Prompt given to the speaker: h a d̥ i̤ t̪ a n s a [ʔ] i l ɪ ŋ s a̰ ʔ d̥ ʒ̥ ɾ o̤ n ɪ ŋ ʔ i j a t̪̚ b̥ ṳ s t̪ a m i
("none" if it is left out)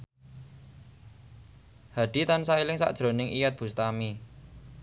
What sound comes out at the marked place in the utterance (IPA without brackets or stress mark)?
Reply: none